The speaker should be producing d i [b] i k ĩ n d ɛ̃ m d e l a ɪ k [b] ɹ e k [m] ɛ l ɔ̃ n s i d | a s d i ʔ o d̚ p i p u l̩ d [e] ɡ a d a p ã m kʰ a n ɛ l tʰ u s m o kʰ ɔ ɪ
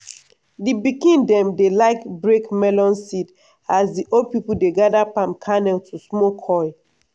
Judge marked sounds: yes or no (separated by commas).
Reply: yes, yes, yes, yes